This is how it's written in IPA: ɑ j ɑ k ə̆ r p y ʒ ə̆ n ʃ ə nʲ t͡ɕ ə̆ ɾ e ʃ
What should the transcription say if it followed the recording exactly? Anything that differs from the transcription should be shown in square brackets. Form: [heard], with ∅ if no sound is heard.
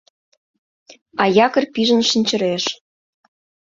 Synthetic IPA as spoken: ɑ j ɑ k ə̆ r p [i] ʒ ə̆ n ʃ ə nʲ t͡ɕ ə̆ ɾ e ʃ